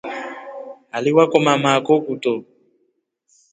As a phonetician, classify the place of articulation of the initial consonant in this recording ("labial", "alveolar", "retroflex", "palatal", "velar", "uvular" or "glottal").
alveolar